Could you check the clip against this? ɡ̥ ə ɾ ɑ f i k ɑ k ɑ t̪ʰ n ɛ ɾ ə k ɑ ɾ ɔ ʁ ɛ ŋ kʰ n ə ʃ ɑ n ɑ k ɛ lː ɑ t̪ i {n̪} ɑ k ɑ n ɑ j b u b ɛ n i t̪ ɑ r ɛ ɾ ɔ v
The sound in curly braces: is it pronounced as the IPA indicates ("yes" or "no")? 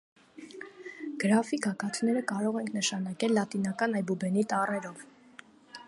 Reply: yes